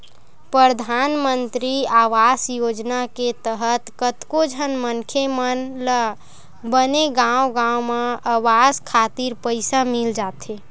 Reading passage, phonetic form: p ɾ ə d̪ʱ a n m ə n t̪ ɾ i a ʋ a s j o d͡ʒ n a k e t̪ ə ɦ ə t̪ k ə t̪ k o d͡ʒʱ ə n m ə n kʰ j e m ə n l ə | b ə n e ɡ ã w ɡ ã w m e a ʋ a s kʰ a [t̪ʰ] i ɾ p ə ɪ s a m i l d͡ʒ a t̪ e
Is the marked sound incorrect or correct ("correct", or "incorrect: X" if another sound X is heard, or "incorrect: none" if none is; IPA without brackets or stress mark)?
incorrect: t̪